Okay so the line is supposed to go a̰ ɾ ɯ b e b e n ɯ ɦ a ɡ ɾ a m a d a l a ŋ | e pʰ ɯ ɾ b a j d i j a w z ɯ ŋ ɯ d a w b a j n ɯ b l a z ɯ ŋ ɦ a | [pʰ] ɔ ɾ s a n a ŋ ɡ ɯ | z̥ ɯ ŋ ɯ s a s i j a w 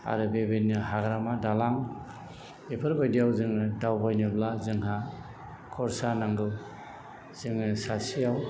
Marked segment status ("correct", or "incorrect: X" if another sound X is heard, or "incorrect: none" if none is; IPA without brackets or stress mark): incorrect: kʰ